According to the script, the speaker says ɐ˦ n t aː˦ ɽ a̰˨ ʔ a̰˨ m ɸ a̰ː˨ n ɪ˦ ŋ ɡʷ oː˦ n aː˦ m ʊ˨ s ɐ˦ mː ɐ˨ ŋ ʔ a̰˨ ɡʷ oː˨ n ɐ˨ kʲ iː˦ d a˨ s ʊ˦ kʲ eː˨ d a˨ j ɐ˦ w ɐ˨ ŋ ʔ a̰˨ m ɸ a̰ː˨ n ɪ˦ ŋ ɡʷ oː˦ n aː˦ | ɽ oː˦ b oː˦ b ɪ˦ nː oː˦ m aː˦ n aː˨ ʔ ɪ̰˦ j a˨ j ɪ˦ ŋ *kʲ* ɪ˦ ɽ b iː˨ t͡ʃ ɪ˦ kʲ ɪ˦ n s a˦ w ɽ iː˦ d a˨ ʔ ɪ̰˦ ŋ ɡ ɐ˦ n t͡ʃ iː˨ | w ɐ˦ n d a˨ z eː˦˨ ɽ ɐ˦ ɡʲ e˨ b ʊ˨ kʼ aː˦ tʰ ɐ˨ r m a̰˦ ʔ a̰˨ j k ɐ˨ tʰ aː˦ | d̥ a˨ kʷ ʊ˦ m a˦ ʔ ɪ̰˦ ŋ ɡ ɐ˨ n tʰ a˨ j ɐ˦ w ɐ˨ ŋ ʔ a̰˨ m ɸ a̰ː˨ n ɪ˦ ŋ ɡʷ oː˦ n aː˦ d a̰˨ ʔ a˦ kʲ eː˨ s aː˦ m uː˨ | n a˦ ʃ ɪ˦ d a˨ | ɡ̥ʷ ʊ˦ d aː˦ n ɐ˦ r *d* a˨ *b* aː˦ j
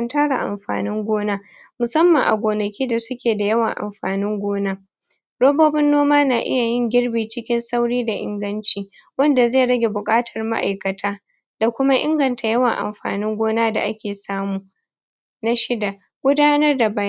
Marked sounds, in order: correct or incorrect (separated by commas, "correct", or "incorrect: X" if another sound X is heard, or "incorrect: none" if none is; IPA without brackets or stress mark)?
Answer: incorrect: ɡʲ, correct, correct